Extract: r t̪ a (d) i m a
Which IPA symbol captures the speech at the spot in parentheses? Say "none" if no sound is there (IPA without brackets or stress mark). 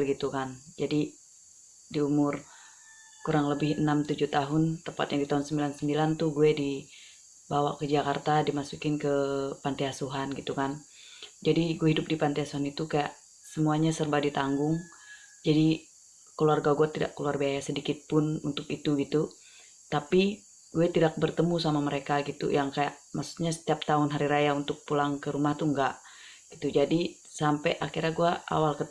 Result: d